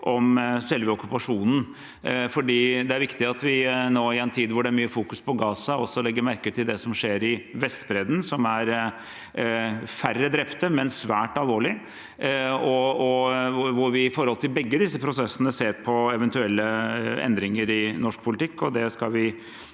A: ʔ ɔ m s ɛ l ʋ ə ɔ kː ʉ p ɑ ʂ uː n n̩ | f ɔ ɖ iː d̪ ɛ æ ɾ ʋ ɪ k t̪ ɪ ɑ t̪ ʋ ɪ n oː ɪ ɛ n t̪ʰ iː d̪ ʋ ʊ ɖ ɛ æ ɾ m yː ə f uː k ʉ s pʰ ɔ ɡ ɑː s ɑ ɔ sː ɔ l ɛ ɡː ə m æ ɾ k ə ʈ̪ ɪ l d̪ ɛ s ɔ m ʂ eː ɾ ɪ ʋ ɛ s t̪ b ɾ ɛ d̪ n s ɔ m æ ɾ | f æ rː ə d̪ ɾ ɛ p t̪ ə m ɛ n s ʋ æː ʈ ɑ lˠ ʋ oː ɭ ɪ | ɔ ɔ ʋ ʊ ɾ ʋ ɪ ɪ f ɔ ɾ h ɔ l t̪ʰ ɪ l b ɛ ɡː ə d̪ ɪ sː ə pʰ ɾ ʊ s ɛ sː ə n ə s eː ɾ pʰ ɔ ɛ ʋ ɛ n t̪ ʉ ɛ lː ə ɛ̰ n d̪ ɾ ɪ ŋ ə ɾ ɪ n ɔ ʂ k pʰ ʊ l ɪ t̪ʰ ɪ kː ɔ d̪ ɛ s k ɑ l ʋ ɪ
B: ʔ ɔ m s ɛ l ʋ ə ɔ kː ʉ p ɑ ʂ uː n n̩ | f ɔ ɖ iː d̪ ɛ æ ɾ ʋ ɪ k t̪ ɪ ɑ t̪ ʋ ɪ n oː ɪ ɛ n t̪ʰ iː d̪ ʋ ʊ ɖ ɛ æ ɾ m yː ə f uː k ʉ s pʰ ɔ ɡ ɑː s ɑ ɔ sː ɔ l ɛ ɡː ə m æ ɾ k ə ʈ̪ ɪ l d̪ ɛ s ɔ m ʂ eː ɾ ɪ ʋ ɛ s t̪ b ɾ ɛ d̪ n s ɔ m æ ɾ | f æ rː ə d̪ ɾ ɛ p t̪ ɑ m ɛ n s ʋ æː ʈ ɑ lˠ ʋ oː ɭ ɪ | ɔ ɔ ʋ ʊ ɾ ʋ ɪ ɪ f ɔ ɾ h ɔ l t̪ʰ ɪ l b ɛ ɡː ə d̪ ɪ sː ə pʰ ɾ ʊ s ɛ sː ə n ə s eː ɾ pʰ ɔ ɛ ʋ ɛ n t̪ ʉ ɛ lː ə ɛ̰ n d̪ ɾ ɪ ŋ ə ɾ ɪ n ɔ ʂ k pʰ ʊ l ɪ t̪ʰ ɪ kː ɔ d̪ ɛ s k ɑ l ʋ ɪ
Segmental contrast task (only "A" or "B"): A